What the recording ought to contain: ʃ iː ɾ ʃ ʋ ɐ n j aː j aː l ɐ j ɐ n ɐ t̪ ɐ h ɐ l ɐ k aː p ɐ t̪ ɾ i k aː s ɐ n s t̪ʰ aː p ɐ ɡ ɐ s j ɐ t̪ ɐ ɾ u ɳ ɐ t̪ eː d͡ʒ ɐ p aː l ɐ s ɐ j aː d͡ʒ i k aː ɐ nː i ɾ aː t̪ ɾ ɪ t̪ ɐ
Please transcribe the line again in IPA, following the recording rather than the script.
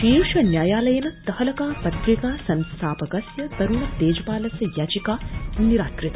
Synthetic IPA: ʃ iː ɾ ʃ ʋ ɐ n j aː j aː l ɐ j ɐ n ɐ t̪ ɐ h ɐ l ɐ k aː p ɐ t̪ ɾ i k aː s ɐ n s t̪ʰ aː p ɐ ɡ ɐ s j ɐ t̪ ɐ ɾ u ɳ ɐ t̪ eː d͡ʒ ɐ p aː l ɐ s ɐ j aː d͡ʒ i k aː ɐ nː i ɾ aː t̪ ɾ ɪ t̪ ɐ